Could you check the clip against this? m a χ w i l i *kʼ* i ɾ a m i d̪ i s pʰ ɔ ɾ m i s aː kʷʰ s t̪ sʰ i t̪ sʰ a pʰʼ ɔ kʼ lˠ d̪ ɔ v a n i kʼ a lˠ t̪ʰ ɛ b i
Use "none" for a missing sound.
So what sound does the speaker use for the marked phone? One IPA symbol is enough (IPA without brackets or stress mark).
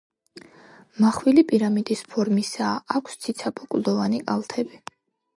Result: pʼ